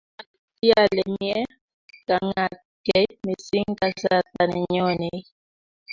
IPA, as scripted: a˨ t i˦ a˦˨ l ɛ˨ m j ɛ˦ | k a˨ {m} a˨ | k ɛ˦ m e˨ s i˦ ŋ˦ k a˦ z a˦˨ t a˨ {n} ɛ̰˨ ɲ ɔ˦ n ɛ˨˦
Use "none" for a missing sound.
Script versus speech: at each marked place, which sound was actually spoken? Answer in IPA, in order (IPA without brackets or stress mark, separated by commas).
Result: ŋ, n